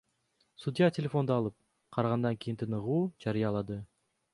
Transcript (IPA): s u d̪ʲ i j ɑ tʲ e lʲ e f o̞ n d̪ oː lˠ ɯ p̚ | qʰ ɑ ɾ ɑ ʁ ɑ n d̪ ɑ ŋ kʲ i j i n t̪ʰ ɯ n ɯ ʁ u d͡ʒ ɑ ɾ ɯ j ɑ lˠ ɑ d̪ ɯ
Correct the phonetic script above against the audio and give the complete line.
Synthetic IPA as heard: s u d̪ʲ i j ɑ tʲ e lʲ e f o̞ n d̪ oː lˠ ɯ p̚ | qʰ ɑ ɾ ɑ ʁ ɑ n d̪ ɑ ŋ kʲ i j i n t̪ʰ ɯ n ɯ ʁ uː d͡ʒ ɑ ɾ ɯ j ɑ lˠ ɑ d̪ ɯ